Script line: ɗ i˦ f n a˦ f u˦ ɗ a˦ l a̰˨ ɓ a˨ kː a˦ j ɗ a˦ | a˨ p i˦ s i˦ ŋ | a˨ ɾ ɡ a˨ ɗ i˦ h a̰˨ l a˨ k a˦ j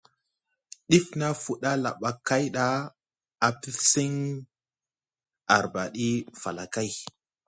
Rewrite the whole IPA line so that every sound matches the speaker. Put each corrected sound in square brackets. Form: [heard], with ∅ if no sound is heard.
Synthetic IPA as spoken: ɗ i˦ f n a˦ f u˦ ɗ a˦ l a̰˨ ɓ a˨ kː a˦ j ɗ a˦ | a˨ p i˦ s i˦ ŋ | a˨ ɾ [b] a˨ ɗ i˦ [f] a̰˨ l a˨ k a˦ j